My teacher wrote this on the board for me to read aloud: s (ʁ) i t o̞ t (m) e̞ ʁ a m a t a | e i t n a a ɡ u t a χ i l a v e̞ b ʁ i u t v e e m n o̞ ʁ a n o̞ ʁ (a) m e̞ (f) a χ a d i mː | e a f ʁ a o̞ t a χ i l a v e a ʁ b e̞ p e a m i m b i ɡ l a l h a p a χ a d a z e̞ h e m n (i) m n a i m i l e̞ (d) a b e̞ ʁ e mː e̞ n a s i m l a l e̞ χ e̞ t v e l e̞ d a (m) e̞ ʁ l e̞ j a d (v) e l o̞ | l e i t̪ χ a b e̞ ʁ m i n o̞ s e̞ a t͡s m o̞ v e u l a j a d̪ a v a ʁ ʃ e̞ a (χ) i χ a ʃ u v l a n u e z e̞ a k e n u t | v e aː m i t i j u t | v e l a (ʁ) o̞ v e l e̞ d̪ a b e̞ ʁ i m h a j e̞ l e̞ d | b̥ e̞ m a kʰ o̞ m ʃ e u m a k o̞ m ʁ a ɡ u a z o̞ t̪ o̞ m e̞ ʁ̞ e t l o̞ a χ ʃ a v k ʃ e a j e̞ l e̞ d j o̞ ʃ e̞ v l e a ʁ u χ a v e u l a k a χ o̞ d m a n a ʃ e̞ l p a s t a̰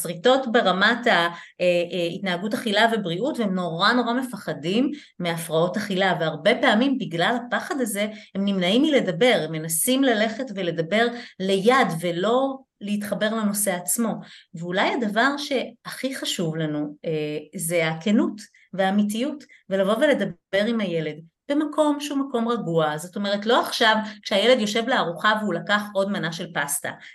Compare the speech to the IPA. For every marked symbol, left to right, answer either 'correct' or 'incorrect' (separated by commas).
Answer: correct, incorrect, correct, correct, correct, correct, incorrect, correct, correct, incorrect